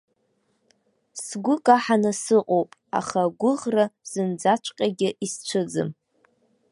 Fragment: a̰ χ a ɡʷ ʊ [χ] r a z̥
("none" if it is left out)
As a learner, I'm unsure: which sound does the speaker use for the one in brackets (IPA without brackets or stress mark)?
ʁ